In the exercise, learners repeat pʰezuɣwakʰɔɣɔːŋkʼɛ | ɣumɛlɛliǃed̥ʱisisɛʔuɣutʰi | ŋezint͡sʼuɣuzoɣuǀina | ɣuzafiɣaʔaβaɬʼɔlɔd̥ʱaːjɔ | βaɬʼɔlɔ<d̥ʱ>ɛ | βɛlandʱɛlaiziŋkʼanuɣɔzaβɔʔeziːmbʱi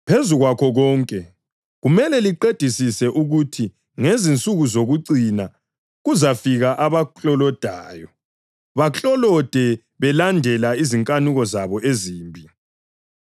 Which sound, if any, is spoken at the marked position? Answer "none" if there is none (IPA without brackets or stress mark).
d̥ʱ